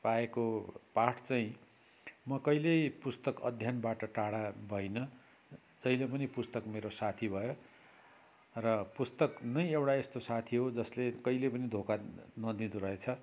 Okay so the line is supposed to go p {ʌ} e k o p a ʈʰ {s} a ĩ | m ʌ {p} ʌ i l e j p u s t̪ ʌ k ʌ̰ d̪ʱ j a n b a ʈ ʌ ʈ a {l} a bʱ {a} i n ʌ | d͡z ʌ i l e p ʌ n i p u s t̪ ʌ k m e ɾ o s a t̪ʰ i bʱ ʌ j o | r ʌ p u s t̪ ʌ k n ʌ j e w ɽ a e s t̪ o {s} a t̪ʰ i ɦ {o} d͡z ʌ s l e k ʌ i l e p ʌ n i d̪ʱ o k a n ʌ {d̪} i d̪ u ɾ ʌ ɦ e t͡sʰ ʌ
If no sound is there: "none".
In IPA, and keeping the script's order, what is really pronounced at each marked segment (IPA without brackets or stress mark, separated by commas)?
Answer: a, t͡s, k, ɽ, ʌ, s, o, d̪